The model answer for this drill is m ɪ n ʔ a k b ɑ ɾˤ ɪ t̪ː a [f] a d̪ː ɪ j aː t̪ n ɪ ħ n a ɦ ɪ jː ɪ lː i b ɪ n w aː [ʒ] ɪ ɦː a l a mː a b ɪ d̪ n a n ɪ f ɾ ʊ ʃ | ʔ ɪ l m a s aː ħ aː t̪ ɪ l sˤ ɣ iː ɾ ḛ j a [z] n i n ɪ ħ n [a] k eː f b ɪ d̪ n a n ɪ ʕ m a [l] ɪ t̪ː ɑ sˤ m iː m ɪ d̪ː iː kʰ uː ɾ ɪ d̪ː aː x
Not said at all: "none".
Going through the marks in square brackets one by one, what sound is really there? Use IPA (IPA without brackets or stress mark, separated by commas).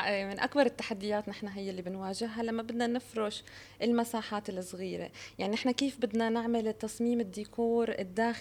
ħ, ʒ, ʕ, a, l